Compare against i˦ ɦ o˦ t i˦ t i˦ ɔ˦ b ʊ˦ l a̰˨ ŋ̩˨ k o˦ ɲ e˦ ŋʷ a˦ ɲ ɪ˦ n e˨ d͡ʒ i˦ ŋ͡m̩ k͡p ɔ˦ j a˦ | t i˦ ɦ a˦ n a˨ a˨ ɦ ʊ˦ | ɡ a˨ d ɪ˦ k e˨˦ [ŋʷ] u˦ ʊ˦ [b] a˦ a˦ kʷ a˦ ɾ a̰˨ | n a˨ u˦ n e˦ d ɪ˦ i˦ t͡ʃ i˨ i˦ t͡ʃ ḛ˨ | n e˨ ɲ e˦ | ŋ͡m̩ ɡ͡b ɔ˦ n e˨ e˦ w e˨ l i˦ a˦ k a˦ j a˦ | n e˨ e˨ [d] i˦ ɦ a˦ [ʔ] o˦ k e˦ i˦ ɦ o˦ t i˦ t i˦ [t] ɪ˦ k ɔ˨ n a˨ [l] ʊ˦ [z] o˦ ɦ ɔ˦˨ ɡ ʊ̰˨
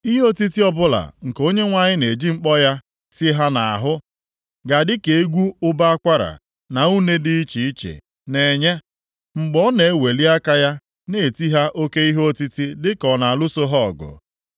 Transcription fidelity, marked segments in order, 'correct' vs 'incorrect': incorrect, correct, incorrect, correct, incorrect, correct, incorrect

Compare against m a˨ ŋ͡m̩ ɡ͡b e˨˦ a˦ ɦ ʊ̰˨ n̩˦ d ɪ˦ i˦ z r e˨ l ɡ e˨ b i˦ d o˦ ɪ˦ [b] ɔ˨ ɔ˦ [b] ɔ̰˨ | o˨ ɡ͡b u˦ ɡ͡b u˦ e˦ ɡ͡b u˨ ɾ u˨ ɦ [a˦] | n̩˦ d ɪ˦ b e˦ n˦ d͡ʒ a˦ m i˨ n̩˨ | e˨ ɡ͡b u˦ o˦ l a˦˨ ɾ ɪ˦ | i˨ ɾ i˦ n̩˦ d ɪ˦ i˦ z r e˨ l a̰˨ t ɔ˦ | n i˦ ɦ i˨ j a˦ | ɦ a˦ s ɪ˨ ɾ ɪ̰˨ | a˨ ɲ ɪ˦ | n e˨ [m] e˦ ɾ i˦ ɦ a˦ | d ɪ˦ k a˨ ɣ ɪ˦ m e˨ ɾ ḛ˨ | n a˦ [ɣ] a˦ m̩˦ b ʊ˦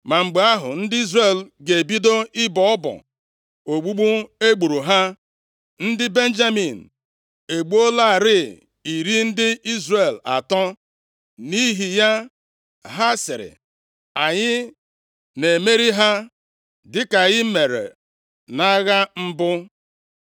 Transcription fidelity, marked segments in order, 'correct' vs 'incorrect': correct, correct, correct, correct, correct

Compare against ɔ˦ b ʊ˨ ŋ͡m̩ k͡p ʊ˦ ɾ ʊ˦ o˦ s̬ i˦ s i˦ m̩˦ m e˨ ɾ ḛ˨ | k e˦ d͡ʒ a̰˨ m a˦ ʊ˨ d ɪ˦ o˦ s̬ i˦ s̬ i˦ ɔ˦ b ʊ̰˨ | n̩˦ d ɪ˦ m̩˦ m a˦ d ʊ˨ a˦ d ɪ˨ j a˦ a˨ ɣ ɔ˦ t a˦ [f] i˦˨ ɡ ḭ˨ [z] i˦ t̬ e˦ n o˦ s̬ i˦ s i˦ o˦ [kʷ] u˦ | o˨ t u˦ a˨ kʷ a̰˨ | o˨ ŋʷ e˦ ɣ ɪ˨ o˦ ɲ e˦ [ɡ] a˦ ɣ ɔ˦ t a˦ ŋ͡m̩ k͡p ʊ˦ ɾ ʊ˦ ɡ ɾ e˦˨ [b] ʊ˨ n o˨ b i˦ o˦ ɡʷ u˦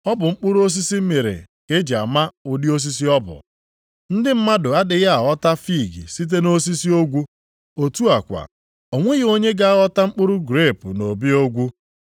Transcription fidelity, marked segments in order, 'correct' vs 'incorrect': correct, incorrect, incorrect, correct, incorrect

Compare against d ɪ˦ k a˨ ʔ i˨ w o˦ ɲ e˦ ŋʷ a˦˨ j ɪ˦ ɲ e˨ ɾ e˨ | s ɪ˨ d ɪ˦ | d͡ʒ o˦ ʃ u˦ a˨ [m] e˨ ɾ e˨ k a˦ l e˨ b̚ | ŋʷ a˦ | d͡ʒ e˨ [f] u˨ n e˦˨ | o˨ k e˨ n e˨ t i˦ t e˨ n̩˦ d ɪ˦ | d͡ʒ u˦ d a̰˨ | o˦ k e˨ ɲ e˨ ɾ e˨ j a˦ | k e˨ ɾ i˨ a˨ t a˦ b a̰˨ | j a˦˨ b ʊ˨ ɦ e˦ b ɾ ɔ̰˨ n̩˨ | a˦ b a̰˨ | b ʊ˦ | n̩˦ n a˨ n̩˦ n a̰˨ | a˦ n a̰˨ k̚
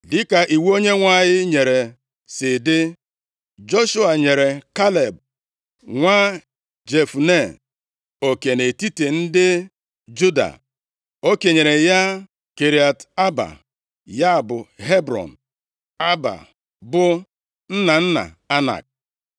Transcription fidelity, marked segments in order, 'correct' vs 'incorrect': incorrect, correct

